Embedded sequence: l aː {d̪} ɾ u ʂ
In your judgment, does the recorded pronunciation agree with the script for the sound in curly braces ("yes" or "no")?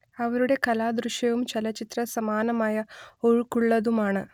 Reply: yes